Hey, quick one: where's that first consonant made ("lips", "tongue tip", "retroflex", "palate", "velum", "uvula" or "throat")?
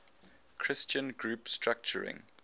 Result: velum